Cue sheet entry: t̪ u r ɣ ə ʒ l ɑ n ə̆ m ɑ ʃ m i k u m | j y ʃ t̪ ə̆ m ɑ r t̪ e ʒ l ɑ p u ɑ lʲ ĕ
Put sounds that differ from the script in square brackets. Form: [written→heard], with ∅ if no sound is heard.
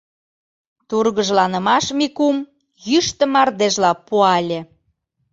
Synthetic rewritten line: t̪ u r ɣ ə ʒ l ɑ n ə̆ m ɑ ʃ m i k u m | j y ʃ t̪ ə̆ m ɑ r [t̪→d̪] e ʒ l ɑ p u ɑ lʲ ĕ